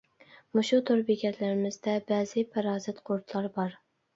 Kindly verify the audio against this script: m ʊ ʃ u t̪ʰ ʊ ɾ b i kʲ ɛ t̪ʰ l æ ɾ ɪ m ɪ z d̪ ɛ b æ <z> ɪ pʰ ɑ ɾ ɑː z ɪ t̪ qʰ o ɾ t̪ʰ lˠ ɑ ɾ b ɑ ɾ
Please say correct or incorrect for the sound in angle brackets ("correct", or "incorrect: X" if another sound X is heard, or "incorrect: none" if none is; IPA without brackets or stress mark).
correct